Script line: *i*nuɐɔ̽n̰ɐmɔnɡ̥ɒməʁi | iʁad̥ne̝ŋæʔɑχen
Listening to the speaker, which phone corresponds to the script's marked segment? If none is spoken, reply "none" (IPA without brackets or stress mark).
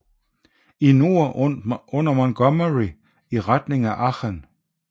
i